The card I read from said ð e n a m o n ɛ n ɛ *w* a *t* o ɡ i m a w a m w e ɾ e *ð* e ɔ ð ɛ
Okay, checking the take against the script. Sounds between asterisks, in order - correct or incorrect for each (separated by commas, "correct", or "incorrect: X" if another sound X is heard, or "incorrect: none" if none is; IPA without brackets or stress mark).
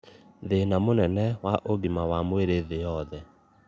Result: correct, incorrect: ʔ, correct